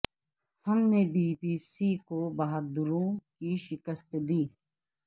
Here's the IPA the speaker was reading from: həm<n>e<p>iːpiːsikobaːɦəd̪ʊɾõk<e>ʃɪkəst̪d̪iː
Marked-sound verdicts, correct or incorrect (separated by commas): correct, incorrect, incorrect